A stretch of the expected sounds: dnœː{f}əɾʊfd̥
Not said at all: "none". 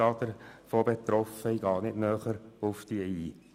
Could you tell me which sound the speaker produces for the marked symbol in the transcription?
χ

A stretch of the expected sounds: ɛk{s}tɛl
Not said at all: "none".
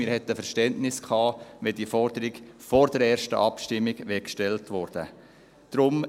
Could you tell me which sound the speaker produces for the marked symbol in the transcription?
ʃ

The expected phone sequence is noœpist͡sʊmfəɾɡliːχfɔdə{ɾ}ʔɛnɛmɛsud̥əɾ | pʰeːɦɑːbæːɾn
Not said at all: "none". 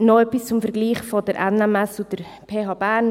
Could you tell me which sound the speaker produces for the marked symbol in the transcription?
ɾ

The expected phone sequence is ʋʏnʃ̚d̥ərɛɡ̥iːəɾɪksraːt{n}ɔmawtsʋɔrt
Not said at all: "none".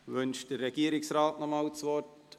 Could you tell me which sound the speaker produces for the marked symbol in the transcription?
n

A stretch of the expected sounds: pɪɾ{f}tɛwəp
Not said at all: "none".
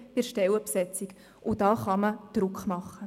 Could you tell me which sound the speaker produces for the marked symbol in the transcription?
ʃ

